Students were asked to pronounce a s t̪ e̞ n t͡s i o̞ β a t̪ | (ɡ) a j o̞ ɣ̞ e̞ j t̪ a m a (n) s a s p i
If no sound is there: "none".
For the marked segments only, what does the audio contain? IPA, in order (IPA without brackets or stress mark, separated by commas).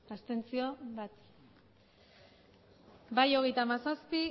b, none